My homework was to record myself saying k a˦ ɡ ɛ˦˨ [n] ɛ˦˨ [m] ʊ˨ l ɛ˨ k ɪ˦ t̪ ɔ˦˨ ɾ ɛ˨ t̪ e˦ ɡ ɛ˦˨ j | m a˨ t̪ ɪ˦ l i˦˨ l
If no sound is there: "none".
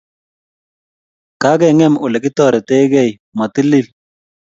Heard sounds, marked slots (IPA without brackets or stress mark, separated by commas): ŋ, m